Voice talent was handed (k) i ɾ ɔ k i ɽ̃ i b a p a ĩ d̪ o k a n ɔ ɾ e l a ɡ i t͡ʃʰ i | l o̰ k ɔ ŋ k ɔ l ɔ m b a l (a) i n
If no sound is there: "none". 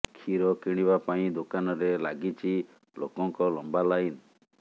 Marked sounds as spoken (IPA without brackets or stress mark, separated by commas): kʰ, a